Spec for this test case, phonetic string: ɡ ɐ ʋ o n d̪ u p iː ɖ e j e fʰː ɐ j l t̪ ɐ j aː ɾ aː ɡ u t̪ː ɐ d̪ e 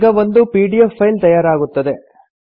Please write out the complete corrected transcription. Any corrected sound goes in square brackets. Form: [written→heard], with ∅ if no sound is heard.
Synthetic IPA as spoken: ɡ ɐ ʋ o n d̪ u p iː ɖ [e→i] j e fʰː ɐ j l t̪ ɐ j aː ɾ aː ɡ u t̪ː ɐ d̪ e